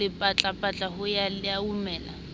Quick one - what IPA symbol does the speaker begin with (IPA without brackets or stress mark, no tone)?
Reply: ɪ